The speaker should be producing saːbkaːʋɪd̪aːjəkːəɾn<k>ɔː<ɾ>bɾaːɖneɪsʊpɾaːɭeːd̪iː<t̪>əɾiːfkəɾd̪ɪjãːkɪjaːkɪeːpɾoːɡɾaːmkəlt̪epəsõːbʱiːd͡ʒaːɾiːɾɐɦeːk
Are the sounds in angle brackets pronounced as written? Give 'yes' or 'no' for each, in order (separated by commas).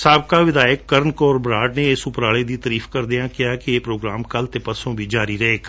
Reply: yes, yes, yes